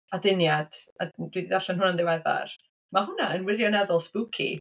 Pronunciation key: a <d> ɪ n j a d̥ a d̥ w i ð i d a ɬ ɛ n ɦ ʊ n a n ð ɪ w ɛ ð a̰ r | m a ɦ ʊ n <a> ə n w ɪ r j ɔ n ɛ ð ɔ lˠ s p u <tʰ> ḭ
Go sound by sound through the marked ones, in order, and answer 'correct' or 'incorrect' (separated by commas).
correct, correct, incorrect